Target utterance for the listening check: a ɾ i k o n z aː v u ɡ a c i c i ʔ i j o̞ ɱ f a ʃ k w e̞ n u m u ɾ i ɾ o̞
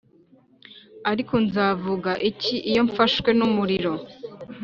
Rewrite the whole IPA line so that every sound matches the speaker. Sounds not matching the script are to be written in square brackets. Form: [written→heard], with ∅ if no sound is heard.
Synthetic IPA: a ɾ i k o n z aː v u ɡ a [c→ʔ] i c i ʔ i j o̞ ɱ f a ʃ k w e̞ n u m u ɾ i ɾ o̞